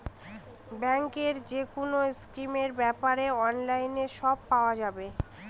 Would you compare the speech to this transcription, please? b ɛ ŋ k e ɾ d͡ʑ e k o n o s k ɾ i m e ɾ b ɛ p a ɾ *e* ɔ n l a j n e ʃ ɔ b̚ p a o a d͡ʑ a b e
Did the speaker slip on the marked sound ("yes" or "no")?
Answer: no